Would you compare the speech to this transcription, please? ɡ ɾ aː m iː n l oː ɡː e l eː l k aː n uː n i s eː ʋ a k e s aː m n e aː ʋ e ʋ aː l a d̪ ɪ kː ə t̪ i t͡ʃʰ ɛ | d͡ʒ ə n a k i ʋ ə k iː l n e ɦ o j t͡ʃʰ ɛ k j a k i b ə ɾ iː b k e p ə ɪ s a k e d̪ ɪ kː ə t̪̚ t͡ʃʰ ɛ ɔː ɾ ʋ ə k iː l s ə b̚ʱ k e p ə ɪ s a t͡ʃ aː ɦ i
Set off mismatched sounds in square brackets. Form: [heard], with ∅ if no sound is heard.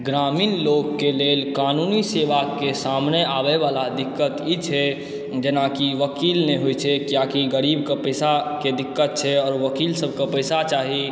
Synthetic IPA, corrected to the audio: ɡ ɾ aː m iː n l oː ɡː e l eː l k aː n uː n i s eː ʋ a k e s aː m n e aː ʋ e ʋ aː l a d̪ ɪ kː ə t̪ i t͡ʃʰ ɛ | d͡ʒ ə n a k i ʋ ə k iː l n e ɦ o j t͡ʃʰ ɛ k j a k i [ɡ] ə ɾ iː b k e p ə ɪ s a k e d̪ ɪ kː ə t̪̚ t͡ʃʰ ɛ ɔː ɾ ʋ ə k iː l s ə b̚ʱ k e p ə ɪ s a t͡ʃ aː ɦ i